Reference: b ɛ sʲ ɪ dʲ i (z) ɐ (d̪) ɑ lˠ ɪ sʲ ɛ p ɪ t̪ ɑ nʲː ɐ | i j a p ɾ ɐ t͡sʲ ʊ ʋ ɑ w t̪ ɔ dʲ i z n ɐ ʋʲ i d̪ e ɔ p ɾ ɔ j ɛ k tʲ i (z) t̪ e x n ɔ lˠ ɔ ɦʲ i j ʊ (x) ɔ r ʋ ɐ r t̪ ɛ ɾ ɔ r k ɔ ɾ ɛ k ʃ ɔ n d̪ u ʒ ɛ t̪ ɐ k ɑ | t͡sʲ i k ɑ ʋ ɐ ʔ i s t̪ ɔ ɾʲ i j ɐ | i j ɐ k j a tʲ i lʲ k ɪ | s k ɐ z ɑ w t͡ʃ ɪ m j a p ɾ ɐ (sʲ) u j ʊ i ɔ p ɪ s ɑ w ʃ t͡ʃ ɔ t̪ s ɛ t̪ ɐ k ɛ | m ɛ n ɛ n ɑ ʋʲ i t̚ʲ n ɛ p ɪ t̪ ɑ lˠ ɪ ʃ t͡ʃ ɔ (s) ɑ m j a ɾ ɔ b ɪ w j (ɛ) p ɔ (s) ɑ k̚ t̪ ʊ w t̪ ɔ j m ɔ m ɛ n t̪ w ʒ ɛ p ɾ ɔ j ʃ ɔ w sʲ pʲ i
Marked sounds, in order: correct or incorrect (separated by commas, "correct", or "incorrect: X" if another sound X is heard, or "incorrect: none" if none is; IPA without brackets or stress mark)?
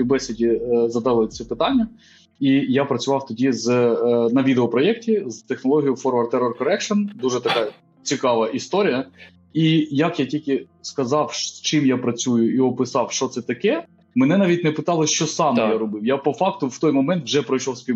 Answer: correct, correct, correct, incorrect: f, incorrect: t͡sʲ, correct, incorrect: a, incorrect: f